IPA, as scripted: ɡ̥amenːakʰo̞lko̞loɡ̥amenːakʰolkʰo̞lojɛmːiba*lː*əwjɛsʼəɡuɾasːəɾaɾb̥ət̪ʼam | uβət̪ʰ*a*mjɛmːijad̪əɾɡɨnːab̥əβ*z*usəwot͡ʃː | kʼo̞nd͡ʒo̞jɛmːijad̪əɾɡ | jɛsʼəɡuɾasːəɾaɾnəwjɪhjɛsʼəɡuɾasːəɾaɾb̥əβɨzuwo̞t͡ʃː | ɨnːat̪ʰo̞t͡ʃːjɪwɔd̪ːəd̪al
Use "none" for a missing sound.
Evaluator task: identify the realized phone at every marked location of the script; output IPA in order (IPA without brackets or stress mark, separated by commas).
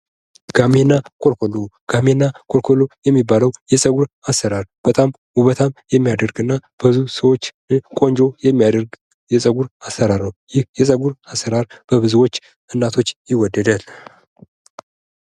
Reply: l, a, z